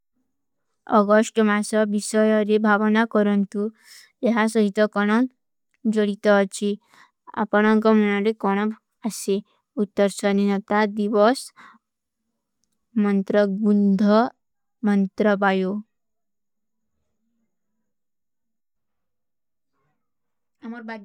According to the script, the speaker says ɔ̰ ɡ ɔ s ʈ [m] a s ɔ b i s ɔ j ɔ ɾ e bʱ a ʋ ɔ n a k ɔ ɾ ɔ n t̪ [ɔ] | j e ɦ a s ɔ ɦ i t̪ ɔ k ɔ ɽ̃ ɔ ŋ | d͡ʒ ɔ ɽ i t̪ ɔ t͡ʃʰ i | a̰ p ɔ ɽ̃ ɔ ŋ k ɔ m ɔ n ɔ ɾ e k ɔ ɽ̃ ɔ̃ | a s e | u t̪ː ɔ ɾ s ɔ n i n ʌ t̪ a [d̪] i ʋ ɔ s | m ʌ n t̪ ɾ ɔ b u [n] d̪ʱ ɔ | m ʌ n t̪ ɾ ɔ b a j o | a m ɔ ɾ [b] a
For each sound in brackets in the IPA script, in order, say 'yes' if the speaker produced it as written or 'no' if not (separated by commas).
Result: yes, no, yes, yes, yes